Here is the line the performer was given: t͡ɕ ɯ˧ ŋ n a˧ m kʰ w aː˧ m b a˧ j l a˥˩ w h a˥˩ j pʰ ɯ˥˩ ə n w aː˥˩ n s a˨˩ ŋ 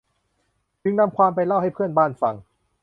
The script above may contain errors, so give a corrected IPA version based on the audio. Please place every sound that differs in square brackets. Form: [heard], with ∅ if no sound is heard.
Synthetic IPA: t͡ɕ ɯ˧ ŋ n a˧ m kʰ w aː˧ m [p] a˧ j l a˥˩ w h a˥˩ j pʰ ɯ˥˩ ə n [b] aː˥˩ n [f] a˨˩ ŋ